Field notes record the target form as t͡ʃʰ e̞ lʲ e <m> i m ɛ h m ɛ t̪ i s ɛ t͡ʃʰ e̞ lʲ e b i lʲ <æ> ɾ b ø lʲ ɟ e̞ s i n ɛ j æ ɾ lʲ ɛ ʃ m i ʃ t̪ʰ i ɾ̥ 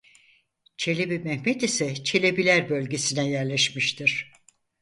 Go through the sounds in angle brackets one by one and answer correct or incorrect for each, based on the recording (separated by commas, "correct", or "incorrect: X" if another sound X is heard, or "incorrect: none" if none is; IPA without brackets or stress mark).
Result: incorrect: b, correct